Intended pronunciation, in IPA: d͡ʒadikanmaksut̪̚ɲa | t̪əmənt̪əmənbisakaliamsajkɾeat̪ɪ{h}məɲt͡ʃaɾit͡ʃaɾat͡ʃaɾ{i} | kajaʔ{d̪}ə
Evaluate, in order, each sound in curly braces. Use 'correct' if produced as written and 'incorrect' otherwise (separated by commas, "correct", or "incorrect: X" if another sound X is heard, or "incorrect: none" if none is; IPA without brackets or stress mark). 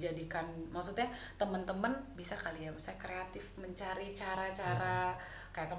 incorrect: f, incorrect: a, incorrect: t̪